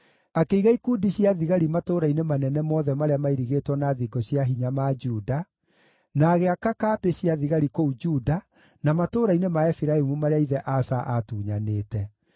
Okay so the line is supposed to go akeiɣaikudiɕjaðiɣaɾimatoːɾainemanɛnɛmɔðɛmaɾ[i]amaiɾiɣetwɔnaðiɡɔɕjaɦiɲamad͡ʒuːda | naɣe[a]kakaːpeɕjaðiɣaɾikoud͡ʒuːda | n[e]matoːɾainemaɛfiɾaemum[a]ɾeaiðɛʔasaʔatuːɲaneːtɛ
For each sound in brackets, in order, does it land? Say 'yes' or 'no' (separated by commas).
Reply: no, yes, no, yes